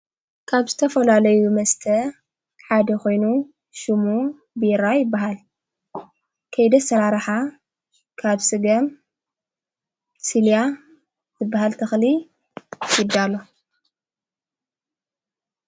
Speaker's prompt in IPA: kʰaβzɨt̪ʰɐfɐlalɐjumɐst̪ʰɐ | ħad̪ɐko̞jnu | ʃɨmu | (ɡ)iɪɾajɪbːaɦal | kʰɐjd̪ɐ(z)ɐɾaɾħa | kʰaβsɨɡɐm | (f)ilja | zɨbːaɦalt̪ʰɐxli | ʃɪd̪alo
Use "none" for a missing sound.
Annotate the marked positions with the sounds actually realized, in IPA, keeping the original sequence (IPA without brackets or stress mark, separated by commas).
b, s, s